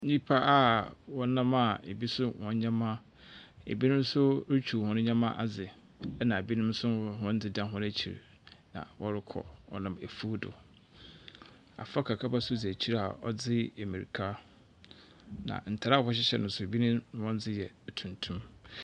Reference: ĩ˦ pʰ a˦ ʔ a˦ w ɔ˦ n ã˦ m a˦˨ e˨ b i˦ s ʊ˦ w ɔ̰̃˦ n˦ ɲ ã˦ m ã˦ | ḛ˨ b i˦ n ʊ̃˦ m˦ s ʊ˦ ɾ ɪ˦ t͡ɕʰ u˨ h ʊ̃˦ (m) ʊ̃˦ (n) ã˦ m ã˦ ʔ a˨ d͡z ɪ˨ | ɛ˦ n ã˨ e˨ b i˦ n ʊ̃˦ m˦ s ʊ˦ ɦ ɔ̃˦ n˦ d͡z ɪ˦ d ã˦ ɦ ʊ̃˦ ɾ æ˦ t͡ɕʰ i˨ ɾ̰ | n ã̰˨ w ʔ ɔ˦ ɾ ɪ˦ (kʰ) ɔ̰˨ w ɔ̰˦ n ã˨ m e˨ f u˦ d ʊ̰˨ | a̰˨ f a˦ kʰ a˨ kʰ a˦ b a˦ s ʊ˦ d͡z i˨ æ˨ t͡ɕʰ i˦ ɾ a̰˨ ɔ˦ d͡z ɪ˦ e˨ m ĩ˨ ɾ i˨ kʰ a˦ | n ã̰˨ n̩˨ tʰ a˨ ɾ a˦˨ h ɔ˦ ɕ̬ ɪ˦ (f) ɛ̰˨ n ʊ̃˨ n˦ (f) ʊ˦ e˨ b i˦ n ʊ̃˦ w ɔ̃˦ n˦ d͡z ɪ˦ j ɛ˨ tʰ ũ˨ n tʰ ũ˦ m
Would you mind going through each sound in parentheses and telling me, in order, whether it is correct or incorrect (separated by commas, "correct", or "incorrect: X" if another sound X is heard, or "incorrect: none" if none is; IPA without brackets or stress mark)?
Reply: incorrect: n, incorrect: ɲ, correct, incorrect: ɕ, incorrect: s